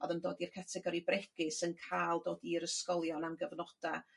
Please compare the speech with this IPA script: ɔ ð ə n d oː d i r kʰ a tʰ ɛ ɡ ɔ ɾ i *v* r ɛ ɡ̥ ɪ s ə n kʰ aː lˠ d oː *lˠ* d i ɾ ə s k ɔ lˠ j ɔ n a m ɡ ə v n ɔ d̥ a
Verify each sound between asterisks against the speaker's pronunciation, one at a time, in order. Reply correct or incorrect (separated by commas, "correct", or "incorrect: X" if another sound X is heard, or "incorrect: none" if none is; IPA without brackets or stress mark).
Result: incorrect: b, incorrect: none